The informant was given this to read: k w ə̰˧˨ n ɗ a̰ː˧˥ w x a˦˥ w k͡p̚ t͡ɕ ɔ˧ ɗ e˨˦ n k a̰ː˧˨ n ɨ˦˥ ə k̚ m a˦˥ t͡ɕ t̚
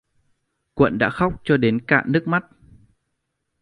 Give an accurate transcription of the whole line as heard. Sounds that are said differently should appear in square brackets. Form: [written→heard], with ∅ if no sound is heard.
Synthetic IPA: k w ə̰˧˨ n ɗ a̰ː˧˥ [w→∅] x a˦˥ w k͡p̚ t͡ɕ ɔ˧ ɗ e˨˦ n k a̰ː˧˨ n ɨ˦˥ ə k̚ m a˦˥ [t͡ɕ→∅] t̚

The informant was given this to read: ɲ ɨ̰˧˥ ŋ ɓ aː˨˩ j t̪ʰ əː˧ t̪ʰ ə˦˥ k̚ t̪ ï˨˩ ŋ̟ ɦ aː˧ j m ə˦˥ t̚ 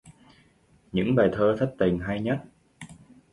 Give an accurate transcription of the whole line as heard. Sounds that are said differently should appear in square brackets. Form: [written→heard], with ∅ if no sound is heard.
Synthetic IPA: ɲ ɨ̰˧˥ ŋ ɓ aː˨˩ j t̪ʰ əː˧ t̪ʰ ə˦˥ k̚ t̪ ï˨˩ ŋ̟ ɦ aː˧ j [m→ɲ] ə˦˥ t̚

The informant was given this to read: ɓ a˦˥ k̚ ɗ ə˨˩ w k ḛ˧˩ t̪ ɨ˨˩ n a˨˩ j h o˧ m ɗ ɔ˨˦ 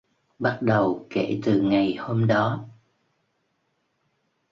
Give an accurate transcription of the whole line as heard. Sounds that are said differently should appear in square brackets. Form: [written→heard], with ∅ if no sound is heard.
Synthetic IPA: ɓ a˦˥ [k̚→t̚] ɗ ə˨˩ w k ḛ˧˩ t̪ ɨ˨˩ [n→ŋ] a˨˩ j h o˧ m ɗ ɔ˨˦

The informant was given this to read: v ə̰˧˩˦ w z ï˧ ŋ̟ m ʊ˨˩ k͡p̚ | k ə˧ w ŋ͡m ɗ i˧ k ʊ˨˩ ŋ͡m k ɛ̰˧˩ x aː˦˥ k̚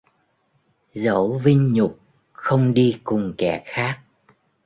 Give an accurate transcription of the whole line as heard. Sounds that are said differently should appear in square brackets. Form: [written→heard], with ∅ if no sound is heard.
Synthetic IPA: [v→z] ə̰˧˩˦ w [z→v] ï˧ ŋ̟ [m→ɲ] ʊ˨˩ k͡p̚ | [k→x] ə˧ w ŋ͡m ɗ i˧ k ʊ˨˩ ŋ͡m k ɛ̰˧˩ x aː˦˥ k̚

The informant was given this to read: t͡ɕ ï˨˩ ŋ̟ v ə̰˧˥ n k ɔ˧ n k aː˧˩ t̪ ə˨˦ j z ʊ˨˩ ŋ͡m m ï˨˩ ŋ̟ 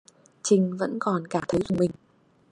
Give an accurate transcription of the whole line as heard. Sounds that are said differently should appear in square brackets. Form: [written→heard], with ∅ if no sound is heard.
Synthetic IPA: t͡ɕ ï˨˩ ŋ̟ v ə̰˧˥ n k [ɔ˧→ɔ˨˩] n k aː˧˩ [t̪→t̪ʰ] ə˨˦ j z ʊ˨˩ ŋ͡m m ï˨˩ ŋ̟

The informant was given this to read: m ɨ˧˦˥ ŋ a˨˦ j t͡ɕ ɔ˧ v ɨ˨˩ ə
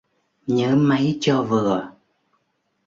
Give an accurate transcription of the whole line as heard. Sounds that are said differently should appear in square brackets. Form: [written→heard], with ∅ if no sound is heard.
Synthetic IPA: [m→ɲ] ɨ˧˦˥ [ŋ→m] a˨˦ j t͡ɕ ɔ˧ v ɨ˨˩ ə

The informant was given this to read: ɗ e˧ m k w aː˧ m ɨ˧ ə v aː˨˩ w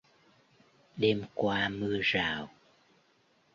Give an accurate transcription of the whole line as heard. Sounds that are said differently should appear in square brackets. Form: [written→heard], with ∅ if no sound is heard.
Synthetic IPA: ɗ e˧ m k w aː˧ m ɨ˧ ə [v→z] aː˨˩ w

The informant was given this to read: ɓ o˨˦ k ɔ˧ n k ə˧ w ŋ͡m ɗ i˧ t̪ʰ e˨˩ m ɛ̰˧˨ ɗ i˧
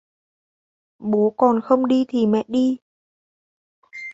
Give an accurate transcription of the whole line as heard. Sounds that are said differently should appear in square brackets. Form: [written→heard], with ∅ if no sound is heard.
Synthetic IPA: ɓ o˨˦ k [ɔ˧→ɔ˨˩] n [k→x] ə˧ w ŋ͡m ɗ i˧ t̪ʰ [e˨˩→i˨˩] m ɛ̰˧˨ ɗ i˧

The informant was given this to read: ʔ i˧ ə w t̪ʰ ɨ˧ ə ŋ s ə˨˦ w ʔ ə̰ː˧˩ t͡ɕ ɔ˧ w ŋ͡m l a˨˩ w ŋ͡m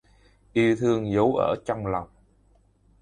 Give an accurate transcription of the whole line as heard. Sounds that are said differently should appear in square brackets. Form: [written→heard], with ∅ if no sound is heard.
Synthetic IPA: ʔ i˧ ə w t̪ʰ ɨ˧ ə ŋ [s→z] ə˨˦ w ʔ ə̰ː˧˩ t͡ɕ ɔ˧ w ŋ͡m l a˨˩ w ŋ͡m

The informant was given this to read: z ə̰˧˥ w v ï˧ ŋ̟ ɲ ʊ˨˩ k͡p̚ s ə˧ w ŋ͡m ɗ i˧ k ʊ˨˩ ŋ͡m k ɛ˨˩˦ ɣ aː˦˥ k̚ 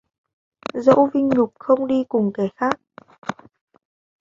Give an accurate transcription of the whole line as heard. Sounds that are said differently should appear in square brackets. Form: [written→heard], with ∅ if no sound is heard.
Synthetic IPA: z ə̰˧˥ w v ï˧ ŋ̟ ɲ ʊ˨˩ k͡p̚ [s→x] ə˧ w ŋ͡m ɗ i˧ k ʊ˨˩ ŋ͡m k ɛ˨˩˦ [ɣ→x] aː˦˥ k̚

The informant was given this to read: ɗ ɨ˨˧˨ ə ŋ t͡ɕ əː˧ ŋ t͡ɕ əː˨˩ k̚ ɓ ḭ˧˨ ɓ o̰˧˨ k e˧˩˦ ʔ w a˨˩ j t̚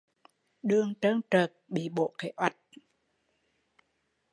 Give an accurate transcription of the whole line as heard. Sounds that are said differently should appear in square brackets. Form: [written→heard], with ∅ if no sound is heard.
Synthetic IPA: ɗ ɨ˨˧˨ ə ŋ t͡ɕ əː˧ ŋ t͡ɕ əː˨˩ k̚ ɓ ḭ˧˨ ɓ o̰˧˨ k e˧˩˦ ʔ w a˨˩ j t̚

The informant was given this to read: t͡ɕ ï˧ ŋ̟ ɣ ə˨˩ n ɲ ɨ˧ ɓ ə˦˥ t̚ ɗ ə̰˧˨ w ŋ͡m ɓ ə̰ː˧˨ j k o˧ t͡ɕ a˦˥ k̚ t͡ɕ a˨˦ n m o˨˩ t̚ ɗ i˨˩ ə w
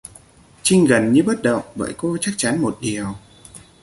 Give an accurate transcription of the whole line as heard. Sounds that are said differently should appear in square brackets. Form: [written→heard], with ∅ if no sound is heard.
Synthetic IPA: t͡ɕ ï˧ ŋ̟ ɣ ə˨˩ n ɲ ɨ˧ ɓ ə˦˥ t̚ ɗ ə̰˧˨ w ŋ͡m ɓ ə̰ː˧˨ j k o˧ t͡ɕ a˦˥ k̚ t͡ɕ a˨˦ n m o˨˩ t̚ ɗ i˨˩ ə w

